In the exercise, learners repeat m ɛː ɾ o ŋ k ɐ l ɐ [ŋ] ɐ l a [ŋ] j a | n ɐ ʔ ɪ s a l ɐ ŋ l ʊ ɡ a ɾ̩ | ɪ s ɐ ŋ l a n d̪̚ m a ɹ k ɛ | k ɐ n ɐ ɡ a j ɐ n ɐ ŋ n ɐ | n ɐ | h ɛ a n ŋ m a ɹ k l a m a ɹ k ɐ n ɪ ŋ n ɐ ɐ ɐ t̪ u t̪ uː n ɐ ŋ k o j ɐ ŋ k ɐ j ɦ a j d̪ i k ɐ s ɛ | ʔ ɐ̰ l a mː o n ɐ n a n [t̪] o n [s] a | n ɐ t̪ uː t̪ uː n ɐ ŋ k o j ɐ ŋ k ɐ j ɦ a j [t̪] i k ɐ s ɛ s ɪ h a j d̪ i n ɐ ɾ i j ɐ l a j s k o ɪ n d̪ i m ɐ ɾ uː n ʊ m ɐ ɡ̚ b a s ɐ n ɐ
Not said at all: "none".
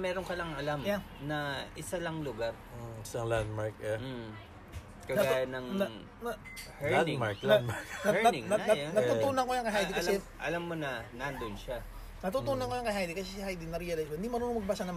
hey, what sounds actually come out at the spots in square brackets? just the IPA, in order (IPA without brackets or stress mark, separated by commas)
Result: ŋ, m, d̪, ʃ, d̪